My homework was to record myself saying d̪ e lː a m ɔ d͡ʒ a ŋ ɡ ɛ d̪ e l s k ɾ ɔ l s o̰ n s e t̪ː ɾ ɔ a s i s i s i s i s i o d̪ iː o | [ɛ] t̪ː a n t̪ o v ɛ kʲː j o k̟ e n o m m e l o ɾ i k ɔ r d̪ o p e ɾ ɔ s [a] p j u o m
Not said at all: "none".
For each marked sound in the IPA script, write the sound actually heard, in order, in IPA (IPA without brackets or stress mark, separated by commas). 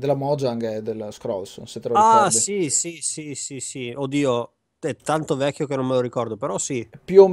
ɛ, i